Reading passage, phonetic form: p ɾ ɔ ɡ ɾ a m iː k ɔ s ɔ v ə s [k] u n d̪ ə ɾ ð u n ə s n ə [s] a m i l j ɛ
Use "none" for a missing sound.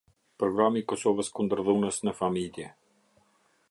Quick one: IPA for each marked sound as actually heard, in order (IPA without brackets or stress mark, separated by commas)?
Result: k, f